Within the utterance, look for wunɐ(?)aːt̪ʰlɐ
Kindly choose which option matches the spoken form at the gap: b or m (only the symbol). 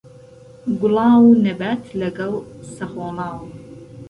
b